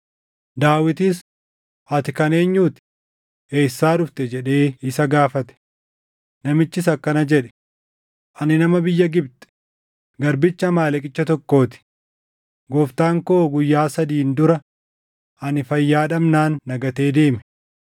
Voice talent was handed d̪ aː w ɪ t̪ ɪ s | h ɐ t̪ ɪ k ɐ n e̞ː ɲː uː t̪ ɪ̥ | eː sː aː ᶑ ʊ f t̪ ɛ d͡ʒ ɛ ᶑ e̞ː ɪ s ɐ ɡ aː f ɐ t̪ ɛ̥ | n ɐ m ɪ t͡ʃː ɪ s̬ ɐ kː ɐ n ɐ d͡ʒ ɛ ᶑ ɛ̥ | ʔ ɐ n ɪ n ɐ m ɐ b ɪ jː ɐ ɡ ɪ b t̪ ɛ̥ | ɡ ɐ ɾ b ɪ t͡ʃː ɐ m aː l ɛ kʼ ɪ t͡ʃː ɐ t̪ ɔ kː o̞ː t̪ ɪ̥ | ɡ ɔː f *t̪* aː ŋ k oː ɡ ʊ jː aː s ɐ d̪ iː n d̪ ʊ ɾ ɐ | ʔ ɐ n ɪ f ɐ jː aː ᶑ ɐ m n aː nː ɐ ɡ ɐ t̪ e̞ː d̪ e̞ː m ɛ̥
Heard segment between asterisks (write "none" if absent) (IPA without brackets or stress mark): t̪